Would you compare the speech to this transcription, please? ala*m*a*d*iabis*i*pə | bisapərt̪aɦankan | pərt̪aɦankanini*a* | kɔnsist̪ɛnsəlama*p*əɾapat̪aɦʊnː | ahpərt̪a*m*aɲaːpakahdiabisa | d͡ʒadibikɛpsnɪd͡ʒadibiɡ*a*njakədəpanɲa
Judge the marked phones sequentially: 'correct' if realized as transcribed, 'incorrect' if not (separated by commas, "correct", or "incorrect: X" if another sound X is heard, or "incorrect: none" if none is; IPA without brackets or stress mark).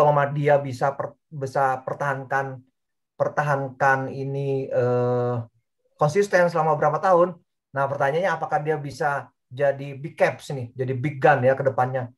correct, correct, incorrect: a, incorrect: ə, incorrect: b, incorrect: ɲ, correct